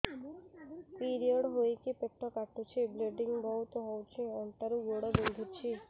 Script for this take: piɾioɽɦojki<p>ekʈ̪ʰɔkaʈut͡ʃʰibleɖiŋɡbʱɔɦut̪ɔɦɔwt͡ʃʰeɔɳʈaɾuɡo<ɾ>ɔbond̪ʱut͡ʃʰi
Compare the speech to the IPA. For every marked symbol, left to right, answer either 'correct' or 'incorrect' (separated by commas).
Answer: correct, incorrect